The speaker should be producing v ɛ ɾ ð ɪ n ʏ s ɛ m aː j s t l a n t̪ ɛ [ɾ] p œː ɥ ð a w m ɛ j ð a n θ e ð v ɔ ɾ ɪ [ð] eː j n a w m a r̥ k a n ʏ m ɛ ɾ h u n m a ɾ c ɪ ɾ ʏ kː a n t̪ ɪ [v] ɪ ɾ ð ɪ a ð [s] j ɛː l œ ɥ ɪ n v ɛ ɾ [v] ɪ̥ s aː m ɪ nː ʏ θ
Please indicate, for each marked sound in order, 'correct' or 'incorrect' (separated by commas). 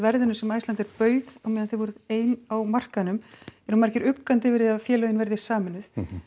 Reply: correct, correct, correct, incorrect, incorrect